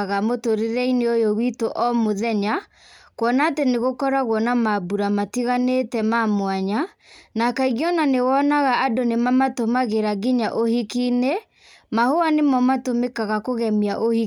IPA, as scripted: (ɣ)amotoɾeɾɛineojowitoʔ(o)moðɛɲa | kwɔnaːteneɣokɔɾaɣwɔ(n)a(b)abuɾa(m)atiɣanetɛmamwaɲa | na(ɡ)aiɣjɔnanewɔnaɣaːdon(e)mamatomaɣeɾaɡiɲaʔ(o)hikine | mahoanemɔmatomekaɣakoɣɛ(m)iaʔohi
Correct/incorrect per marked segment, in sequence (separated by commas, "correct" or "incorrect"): correct, incorrect, correct, incorrect, correct, incorrect, correct, correct, correct